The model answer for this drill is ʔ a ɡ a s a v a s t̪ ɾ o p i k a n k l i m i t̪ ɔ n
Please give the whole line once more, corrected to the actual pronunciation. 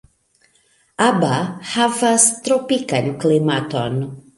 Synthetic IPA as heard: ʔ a b a h a v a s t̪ ɾ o p i k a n k l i m a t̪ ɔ n